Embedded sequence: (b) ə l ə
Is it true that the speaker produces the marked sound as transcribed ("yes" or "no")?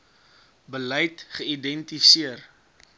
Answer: yes